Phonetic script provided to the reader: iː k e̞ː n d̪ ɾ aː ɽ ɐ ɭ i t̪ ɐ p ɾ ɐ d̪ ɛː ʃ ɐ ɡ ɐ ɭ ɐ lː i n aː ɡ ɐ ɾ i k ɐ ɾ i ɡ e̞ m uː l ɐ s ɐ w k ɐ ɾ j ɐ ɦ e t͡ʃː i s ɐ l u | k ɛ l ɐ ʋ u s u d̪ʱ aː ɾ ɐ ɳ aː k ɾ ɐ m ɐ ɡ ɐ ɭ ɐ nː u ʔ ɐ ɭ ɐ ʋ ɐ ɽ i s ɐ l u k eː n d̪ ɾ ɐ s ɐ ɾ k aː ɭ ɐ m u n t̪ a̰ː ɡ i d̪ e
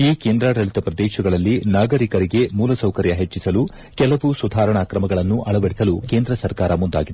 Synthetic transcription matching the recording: iː k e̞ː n d̪ ɾ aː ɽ ɐ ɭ i t̪ ɐ p ɾ ɐ d̪ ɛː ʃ ɐ ɡ ɐ ɭ ɐ lː i n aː ɡ ɐ ɾ i k ɐ ɾ i ɡ e̞ m uː l ɐ s ɐ w k ɐ ɾ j ɐ ɦ e t͡ʃː i s ɐ l u | k ɛ l ɐ ʋ u s u d̪ʱ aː ɾ ɐ ɳ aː k ɾ ɐ m ɐ ɡ ɐ ɭ ɐ nː u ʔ ɐ ɭ ɐ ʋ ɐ ɽ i s ɐ l u k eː n d̪ ɾ ɐ s ɐ ɾ k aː ɾ ɐ m u n d̪ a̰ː ɡ i d̪ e